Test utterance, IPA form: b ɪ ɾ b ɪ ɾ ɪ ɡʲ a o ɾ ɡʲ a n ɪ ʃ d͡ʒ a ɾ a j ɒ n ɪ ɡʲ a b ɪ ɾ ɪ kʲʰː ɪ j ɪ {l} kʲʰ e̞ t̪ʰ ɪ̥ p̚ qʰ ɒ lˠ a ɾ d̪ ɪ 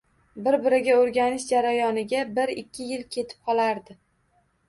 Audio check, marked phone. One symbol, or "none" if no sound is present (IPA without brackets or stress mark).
l